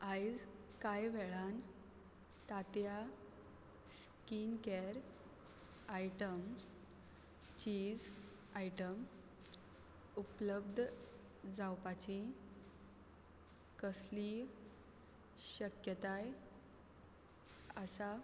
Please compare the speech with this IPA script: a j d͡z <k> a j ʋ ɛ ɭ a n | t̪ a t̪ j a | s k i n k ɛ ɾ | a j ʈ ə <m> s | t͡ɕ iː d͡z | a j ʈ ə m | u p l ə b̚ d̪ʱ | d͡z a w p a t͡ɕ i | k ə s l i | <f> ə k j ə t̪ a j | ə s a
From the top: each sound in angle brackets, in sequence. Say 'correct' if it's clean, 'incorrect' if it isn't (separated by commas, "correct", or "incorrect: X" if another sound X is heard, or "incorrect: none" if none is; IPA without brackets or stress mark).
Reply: correct, correct, incorrect: ɕ